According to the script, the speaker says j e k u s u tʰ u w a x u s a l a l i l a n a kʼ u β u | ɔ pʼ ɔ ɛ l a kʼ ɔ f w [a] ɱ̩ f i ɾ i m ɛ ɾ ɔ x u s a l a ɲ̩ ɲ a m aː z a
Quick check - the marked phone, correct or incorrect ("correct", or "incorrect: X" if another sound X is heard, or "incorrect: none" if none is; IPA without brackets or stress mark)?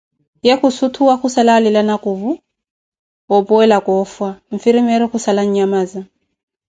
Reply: correct